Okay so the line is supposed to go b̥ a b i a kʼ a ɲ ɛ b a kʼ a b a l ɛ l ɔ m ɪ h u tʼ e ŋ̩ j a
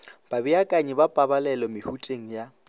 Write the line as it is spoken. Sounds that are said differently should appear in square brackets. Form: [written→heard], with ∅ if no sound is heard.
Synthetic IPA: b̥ a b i a kʼ a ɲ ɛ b a [kʼ→pʼ] a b a l ɛ l ɔ m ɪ h u tʼ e ŋ̩ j a